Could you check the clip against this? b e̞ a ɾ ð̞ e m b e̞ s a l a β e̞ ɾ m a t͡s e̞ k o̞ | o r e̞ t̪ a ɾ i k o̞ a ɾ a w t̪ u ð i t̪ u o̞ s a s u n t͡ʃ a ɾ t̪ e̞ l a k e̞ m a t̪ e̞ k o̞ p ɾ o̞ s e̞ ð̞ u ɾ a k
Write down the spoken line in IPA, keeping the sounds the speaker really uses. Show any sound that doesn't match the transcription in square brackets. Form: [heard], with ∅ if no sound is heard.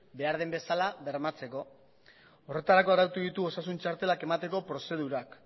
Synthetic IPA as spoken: b e̞ a ɾ ð̞ e m b e̞ s a l a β e̞ ɾ m a t͡s e̞ k o̞ | o r e̞ t̪ a ɾ [a] k o̞ a ɾ a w t̪ u ð i t̪ u o̞ s a s u n t͡ʃ a ɾ t̪ e̞ l a k e̞ m a t̪ e̞ k o̞ p ɾ o̞ s e̞ ð̞ u ɾ a k

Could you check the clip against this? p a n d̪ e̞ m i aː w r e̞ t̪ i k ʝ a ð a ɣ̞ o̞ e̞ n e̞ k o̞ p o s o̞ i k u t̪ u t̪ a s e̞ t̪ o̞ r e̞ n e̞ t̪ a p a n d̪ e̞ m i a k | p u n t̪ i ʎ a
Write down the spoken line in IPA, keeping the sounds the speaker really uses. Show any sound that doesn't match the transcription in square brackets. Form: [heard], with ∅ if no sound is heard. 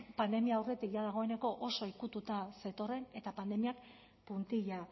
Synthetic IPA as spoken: p a n d̪ e̞ m i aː w r e̞ t̪ i k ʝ a ð a ɣ̞ o̞ e̞ n e̞ k o̞ [ʔ] o s o̞ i k u t̪ u t̪ a s e̞ t̪ o̞ r e̞ n e̞ t̪ a p a n d̪ e̞ m i a k | p u n t̪ i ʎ a

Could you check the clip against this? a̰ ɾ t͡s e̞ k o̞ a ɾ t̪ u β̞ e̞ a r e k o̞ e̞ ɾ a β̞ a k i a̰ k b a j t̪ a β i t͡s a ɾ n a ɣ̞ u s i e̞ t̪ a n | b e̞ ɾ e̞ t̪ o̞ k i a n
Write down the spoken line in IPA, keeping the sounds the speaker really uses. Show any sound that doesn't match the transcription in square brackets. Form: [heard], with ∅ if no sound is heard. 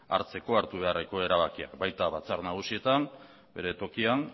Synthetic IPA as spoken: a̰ ɾ t͡s e̞ k o̞ a ɾ t̪ u β̞ e̞ a r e k o̞ e̞ ɾ a β̞ a k i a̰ k b a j t̪ a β [a] t͡s a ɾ n a ɣ̞ u s i e̞ t̪ a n | b e̞ ɾ e̞ t̪ o̞ k i a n

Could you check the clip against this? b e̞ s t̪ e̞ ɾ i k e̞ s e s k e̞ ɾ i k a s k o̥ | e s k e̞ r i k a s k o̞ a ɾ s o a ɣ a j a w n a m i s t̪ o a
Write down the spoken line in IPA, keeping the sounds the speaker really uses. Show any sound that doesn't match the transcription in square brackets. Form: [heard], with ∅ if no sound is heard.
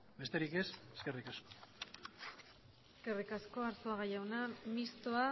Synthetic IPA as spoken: b e̞ s t̪ e̞ ɾ i k e̞ s e s k e̞ [r] i k a s k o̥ | e s k e̞ r i k a s k o̞ a ɾ s o a ɣ a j a w n a m i s t̪ o a

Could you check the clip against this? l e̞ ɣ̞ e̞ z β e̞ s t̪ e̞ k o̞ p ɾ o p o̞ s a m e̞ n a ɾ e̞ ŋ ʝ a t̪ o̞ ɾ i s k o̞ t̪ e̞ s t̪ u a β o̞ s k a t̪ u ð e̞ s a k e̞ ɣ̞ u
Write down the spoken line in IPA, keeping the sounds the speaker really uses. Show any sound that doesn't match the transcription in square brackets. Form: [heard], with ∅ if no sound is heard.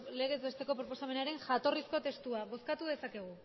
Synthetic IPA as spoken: l e̞ ɣ̞ e̞ z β e̞ s t̪ e̞ k o̞ p ɾ o p o̞ s a m e̞ n a ɾ e̞ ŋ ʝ a t̪ o̞ [r] i s k o̞ t̪ e̞ s t̪ u a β o̞ s k a t̪ u ð e̞ s a k e̞ ɣ̞ u

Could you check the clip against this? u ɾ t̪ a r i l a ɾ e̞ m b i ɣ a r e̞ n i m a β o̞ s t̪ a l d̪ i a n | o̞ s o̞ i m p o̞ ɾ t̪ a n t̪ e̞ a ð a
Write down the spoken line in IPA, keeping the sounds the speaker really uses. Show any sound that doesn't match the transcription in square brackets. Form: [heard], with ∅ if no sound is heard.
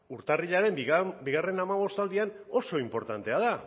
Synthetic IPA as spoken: u ɾ t̪ a r i [ʎ] a ɾ e̞ m b i ɣ a r e̞ n [a] m a β o̞ s t̪ a l d̪ i a n | o̞ s o̞ i m p o̞ ɾ t̪ a n t̪ e̞ a ð a

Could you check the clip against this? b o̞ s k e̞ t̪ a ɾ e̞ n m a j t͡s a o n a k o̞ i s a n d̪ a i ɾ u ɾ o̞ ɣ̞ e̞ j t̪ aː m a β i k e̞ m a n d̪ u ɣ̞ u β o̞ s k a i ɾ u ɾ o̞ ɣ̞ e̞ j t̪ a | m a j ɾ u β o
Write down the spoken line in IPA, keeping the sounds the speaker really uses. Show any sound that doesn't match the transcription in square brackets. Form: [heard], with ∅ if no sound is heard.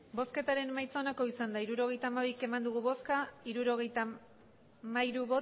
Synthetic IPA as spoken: b o̞ s k e̞ t̪ a ɾ e̞ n m a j t͡s a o n a k o̞ i s a n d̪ a i ɾ u ɾ o̞ ɣ̞ e̞ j t̪ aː m a β i k e̞ m a n d̪ u ɣ̞ u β o̞ s k a i ɾ u ɾ o̞ ɣ̞ e̞ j t̪ a | m a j ɾ u β o

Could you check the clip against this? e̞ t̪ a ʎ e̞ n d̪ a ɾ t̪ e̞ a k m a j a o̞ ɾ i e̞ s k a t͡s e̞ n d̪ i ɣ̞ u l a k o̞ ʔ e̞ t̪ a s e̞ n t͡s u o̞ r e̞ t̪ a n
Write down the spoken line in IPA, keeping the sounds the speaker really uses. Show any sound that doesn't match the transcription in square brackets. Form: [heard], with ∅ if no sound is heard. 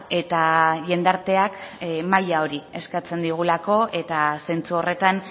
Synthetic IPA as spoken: e̞ t̪ a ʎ e̞ n d̪ a ɾ t̪ e̞ a k m a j a o̞ ɾ i e̞ s k a t͡s e̞ n d̪ i ɣ̞ u l a k o̞ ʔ e̞ t̪ a s e̞ n t͡s u o̞ r e̞ t̪ a n

